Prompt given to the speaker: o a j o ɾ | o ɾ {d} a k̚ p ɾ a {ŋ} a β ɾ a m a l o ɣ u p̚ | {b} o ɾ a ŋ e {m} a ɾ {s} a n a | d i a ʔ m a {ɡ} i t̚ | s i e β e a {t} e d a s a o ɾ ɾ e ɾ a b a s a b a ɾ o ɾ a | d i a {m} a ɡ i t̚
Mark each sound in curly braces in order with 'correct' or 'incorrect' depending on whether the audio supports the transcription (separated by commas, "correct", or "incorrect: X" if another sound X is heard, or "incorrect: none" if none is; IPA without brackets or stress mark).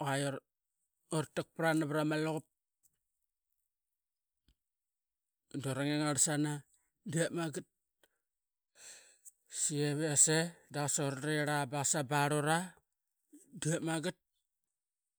incorrect: t, incorrect: n, incorrect: d, incorrect: ŋ, correct, correct, incorrect: s, correct